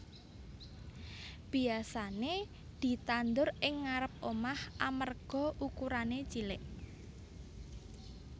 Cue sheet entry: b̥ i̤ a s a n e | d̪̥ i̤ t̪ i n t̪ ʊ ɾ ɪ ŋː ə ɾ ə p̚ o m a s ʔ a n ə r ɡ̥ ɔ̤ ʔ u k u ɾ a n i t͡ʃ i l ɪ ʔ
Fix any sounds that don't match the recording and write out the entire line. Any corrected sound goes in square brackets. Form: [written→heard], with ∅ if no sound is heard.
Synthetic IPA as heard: b̥ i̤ a s a n e | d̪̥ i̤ t̪ [i→a] n [t̪→d̪] ʊ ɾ ɪ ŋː [ə→a] ɾ ə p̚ o m a [s→h] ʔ a [n→m] ə r ɡ̥ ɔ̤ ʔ u k u ɾ a n [i→e] t͡ʃ i l ɪ ʔ